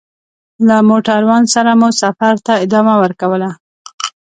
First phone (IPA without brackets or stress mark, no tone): l